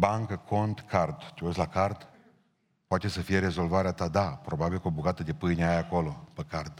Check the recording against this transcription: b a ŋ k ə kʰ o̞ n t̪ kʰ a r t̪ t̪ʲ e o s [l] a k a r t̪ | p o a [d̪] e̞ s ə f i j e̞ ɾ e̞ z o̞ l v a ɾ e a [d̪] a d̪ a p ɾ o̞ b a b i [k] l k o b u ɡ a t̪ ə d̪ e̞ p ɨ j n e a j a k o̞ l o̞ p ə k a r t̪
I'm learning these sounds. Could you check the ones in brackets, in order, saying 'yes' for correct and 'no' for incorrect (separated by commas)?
yes, no, no, no